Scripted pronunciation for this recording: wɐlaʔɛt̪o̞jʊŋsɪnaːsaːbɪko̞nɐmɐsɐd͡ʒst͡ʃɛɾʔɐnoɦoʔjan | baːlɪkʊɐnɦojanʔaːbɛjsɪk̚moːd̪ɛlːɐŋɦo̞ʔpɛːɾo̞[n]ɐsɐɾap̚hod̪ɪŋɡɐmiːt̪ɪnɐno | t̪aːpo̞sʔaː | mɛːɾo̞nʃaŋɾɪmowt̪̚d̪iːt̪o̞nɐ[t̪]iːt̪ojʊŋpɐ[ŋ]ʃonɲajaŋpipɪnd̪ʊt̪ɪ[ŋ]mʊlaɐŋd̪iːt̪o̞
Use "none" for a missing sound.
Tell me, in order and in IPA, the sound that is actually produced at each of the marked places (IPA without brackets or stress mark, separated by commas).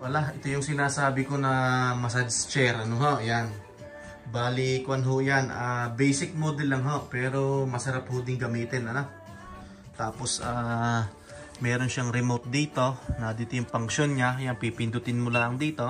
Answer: m, d̪, ŋ, n